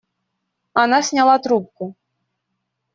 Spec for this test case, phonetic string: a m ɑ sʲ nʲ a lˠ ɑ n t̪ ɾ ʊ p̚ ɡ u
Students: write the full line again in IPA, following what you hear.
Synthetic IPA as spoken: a n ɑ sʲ nʲ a lˠ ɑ t̪ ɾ u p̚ k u